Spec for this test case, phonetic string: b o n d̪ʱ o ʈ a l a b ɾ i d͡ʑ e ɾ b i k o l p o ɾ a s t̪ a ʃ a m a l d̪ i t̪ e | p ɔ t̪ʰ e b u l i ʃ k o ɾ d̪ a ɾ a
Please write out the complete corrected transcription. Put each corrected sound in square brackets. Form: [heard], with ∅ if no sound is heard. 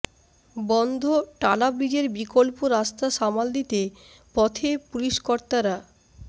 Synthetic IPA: b [ɔ] n d̪ʱ o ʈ a l a b ɾ i d͡ʑ e ɾ b i k o l p o ɾ a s t̪ a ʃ a m a l d̪ i t̪ e | p ɔ t̪ʰ e [p] u l i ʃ k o ɾ [t̪] a ɾ a